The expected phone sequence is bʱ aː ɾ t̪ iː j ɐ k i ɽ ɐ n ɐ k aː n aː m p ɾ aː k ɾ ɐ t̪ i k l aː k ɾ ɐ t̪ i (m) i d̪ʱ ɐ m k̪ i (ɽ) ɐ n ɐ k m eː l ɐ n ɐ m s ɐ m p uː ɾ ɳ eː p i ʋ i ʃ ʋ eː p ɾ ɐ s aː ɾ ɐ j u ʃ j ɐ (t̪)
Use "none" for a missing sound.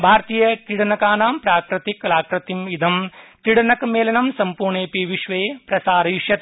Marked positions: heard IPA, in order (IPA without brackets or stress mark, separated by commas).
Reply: m, ɽ, t̪